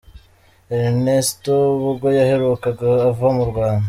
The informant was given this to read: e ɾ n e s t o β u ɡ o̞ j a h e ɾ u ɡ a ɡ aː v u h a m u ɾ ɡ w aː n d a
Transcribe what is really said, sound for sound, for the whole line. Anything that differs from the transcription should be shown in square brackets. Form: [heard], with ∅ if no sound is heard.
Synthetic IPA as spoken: e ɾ n e s t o β u ɡ o̞ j a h e ɾ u [k] a ɡ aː v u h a m u ɾ ɡ w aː n d a